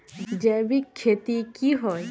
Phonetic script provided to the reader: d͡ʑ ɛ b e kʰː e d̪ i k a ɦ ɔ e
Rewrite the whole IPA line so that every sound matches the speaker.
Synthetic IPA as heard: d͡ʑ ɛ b i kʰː e t̪ i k i ɦ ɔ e